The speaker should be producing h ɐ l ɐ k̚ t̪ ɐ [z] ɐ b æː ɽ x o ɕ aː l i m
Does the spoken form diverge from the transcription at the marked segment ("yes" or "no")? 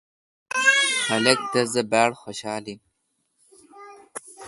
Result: no